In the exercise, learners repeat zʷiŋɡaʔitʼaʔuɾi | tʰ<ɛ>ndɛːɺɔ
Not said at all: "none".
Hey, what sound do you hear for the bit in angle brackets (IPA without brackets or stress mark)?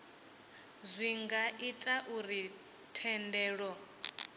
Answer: ɛ